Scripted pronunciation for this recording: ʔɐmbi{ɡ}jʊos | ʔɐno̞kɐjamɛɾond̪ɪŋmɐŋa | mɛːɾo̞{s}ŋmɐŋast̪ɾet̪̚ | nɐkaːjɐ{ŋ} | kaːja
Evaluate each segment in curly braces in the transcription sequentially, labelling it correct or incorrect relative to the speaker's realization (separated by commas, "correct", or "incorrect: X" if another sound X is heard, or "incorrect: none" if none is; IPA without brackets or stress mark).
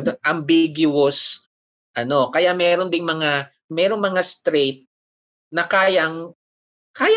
correct, incorrect: none, correct